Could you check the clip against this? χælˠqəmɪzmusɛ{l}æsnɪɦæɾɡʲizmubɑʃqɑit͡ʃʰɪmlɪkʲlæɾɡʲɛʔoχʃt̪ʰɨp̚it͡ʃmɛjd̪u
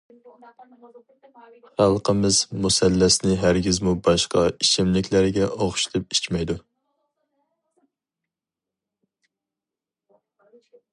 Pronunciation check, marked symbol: incorrect: lː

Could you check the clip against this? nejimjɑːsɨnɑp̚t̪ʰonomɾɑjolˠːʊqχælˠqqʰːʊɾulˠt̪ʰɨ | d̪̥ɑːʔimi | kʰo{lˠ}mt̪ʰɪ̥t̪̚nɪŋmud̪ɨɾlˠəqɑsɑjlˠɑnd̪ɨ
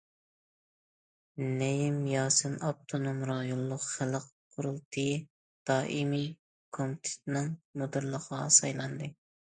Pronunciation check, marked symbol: incorrect: none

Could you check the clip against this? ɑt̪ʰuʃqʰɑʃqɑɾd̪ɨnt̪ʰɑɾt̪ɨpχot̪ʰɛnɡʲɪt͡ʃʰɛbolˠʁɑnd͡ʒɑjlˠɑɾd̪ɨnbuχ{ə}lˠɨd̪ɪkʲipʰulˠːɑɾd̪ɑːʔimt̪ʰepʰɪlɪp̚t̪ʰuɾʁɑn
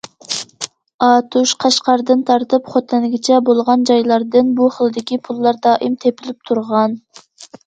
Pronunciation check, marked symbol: correct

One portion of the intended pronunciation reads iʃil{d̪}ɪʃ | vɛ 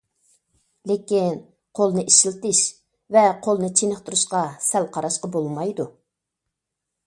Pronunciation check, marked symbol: incorrect: t̪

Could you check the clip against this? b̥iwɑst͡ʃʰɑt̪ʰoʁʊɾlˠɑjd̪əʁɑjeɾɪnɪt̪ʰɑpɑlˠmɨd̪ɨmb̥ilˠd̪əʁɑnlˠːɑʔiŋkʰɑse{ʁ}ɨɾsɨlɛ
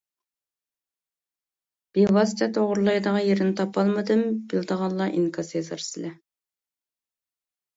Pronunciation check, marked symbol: incorrect: z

